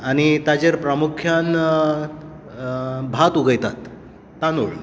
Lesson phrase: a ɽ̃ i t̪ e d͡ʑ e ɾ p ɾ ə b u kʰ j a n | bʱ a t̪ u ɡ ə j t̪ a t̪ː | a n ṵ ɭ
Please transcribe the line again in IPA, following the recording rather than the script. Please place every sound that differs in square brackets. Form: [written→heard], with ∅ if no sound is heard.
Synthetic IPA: a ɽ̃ i t̪ [e→a] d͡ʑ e ɾ p ɾ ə [b→m] u kʰ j a n | bʱ a t̪ u ɡ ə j t̪ a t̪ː | a n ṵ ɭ